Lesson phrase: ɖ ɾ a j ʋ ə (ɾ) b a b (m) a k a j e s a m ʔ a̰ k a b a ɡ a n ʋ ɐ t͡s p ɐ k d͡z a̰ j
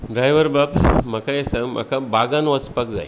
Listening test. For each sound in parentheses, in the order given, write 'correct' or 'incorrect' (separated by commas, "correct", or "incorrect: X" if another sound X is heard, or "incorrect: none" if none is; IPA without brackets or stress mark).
correct, correct